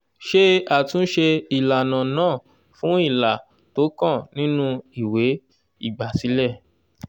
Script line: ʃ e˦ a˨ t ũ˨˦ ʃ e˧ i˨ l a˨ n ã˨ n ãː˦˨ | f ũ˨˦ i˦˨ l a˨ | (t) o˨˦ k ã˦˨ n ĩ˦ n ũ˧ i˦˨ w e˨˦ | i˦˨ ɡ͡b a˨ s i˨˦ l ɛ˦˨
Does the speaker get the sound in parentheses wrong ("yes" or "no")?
no